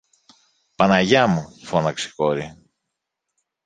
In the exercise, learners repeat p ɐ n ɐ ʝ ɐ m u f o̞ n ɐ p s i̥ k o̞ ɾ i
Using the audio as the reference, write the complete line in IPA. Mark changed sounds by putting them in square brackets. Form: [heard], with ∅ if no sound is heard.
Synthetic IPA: p ɐ n ɐ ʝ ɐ m u f o̞ n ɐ [k] s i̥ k o̞ ɾ i